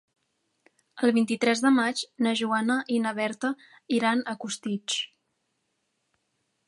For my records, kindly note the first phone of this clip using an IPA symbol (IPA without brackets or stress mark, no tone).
ə